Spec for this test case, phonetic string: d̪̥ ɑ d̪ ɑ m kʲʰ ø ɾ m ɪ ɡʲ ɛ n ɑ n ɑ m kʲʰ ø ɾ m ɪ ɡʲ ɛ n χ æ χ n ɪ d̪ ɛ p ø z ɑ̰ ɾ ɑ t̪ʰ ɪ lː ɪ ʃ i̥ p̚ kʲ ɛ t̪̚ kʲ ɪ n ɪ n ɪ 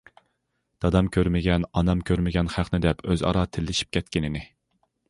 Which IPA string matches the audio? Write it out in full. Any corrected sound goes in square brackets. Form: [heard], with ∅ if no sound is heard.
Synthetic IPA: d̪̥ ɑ d̪ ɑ m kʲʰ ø ɾ m ɪ ɡʲ ɛ n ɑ n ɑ m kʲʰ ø ɾ m ɪ ɡʲ ɛ n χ æ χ n ɪ d̪ ɛ p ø z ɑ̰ ɾ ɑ t̪ʰ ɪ lː ɪ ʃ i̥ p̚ kʲ ɛ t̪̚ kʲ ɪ n ɪ n ɪ

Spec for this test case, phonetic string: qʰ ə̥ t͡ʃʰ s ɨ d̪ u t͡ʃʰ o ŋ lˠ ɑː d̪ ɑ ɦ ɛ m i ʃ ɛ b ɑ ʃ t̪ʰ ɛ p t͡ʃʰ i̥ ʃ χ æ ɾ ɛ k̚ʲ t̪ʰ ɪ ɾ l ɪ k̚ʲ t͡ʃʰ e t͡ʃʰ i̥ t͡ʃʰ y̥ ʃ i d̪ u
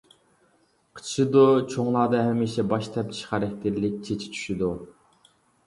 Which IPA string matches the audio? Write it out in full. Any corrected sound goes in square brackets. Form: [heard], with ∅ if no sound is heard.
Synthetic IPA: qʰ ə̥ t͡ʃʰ [ʃ] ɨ d̪ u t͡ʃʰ o ŋ lˠ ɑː d̪ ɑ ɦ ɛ m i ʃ ɛ b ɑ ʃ t̪ʰ ɛ p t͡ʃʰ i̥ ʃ χ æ ɾ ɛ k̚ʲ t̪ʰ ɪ ɾ l ɪ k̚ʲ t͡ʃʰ e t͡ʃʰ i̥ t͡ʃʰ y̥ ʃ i d̪ u

